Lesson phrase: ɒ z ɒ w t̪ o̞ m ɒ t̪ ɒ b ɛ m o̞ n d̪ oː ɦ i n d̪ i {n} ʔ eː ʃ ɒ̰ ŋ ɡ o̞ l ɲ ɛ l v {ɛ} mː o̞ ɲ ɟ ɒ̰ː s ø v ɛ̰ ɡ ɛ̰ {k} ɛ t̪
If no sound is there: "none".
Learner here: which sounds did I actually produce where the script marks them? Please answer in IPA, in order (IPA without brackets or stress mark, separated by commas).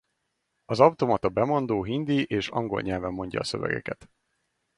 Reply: none, ɛ, k